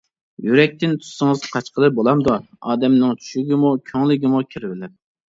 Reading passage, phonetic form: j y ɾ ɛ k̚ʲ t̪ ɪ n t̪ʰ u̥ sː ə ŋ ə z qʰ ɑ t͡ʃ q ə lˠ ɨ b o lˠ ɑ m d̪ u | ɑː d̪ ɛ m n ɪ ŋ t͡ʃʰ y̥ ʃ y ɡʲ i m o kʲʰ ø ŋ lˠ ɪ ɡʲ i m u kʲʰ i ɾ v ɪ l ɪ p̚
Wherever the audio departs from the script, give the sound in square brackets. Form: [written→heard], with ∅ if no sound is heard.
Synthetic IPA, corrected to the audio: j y ɾ ɛ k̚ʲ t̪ ɪ n t̪ʰ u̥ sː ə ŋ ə z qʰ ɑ t͡ʃ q ə lˠ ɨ b o lˠ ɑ m d̪ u | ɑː d̪ ɛ m n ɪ ŋ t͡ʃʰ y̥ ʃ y ɡʲ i m [o→u] kʲʰ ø ŋ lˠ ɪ ɡʲ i m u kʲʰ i ɾ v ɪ l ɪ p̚